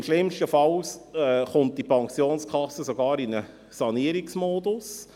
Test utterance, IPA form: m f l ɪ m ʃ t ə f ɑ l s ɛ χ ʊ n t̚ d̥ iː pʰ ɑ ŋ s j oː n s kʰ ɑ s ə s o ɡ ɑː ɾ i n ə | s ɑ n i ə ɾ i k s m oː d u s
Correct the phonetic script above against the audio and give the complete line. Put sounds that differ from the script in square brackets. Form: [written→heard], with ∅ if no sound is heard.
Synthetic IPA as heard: m [f→ʃ] l ɪ m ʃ t ə f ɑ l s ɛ χ ʊ n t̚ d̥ [iː→i] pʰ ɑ ŋ s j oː n s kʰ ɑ s ə s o ɡ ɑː ɾ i n ə | s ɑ n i ə ɾ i k s m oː d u s